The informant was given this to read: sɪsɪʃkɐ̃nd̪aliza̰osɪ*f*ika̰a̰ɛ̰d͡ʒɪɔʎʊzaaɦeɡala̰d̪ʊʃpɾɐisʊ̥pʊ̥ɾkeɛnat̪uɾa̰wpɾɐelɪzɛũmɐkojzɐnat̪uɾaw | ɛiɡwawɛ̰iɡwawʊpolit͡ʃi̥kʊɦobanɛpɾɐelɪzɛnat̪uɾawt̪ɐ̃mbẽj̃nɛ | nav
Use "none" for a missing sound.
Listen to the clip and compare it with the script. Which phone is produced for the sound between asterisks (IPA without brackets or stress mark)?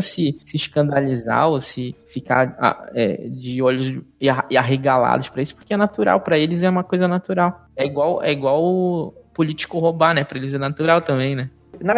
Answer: f